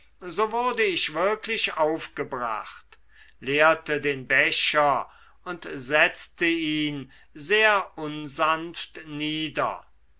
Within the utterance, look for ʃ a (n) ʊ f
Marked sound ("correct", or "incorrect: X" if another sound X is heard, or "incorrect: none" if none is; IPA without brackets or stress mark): incorrect: none